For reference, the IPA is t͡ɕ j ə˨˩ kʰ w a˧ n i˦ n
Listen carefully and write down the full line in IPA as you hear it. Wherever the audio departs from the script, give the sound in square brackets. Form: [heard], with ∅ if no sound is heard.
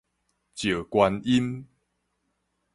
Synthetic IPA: t͡ɕ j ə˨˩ [k] w a˧ n i˦ n